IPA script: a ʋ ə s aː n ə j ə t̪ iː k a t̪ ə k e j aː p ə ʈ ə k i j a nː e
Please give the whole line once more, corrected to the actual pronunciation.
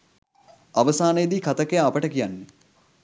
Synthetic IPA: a ʋ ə s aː n ə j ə d̪ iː k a t̪ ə k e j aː p ə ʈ ə k i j a nː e